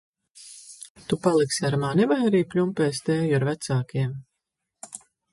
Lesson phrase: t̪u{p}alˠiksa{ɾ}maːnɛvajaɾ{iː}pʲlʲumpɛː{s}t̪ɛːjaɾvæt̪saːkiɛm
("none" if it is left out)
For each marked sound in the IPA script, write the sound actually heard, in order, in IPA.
p, ɾ, iː, s

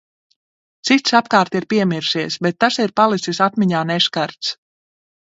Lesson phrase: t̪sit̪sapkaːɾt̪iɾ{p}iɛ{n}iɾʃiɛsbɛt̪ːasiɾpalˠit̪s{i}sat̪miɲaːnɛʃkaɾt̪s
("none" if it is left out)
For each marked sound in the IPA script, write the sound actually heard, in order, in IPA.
p, m, i

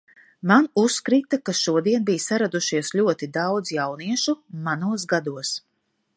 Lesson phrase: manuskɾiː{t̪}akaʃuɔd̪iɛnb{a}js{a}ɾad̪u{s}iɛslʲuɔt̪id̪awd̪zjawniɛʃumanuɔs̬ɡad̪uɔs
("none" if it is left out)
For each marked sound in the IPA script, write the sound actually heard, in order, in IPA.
t̪, i, a, ʃ

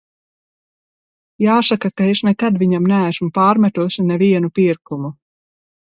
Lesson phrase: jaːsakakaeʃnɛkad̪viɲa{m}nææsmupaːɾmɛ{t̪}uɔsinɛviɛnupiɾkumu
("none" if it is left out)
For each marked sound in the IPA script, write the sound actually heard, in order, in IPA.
m, t̪

